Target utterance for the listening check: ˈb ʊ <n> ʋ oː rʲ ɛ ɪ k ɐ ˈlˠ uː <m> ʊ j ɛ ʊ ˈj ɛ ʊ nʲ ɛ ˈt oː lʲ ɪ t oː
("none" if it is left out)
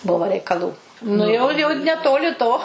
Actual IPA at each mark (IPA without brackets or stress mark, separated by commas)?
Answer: none, n